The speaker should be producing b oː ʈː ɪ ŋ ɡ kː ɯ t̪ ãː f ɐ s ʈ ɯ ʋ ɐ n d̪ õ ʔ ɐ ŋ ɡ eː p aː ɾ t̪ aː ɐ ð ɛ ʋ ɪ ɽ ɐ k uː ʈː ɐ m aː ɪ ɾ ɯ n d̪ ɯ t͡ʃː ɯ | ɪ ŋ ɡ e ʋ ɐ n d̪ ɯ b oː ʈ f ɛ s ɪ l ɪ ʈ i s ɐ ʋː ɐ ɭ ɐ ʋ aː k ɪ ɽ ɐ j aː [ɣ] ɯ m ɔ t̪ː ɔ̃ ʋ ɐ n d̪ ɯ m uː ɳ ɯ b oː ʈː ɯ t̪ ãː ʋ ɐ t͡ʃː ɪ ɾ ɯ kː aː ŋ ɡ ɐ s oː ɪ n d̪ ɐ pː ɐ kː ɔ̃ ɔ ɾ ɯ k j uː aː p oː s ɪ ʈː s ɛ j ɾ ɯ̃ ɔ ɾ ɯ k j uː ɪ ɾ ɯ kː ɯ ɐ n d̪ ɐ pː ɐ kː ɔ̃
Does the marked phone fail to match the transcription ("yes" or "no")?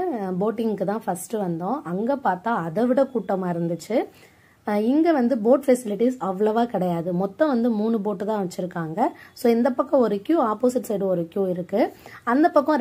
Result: yes